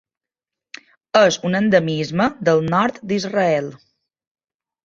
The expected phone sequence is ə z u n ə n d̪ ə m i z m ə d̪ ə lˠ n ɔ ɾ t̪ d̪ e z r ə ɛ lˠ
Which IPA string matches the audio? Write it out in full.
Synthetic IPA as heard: ə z u n ə n d̪ ə m i z m ə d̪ ə lˠ n ɔ ɾ t̪ d̪ i z r ə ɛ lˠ

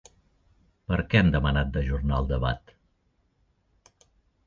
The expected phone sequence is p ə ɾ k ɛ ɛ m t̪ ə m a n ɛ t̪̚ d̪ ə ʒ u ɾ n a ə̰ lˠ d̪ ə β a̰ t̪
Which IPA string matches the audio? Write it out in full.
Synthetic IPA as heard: p ə ɾ k ɛ ɛ m d̪ ə m ə n a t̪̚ d̪ ə ʒ u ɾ n a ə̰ lˠ d̪ ə β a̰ t̪

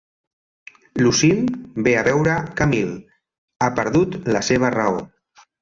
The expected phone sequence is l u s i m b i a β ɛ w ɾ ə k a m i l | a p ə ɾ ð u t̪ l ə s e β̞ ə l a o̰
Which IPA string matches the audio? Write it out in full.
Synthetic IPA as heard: l u s i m b e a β ɛ w ɾ ə k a m i l | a p ə ɾ ð u t̪ l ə s e β̞ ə r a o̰

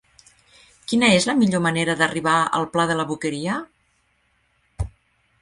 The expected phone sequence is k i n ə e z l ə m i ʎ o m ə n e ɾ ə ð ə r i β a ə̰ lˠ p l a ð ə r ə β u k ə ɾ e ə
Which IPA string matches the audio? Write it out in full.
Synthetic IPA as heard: k i n ə e z l ə m i ʎ o m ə n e ɾ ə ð ə r i β a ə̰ lˠ p l a ð ə l ə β u k ə ɾ i ə

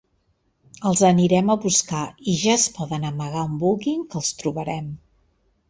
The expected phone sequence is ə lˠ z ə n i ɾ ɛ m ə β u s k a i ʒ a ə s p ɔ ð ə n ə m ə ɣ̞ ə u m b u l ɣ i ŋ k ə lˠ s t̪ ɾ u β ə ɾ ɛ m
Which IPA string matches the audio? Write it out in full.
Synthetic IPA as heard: ə lˠ z ə n i ɾ ɛ m ə β u s k a i ʒ a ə s p ɔ ð ə n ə m ə ɣ̞ a u m b u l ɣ i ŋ k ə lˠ s t̪ ɾ u β ə ɾ ɛ m

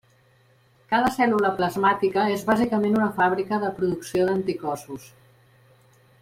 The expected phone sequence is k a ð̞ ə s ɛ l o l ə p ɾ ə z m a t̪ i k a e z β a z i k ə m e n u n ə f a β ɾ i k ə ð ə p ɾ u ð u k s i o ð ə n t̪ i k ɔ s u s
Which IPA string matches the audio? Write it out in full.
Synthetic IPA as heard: k a ð̞ ə s ɛ l u l ə p l ə z m a t̪ i k ə e z β a z i k ə m e n u n ə f a β ɾ i k ə ð ə p ɾ u ð u k s i o ð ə n t̪ i k ɔ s u s

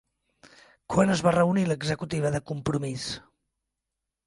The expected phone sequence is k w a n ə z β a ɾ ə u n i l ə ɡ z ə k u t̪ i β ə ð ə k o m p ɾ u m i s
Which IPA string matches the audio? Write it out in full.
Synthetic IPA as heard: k w a n ə z β a r ə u n i l ə ɡ z ə k u t̪ i β ə ð ə k u m p ɾ u m i s

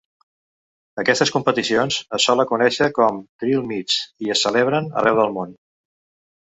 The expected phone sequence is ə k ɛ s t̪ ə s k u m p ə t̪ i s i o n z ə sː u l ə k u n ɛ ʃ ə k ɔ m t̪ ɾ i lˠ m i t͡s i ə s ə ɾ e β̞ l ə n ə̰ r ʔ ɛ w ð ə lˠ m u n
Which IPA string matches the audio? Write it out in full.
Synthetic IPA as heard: ə k ɛ s t̪ ə s k u m p ə t̪ i s i o n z ə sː ɔ l ə k u n ɛ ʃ ə k ɔ m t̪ ɾ i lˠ m i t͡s i ə s ə l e β̞ ɾ ə n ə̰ r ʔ ɛ w ð ə lˠ m o n

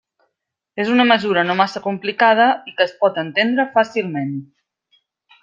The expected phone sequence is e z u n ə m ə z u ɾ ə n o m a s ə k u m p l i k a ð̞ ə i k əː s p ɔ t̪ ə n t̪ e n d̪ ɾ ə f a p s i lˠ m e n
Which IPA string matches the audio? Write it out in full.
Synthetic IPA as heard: e z u n ə m ə z u ɾ ə n o m a s ə k u m p l i k a ð̞ ə i k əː s p ɔ t̪ ə n t̪ e n d̪ ɾ ə f a s i lˠ m e n

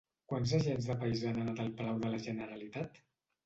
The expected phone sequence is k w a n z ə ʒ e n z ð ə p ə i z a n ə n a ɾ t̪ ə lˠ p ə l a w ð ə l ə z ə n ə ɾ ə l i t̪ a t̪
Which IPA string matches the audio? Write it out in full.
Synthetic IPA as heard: k w a n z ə ʒ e n z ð ə p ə i z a n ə n a t̪ ə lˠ p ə l a w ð ə l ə ʒ ə n ə ɾ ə l i t̪ a t̪

